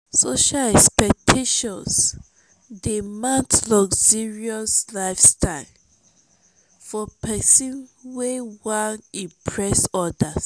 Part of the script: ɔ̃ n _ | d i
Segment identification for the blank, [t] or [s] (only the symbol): s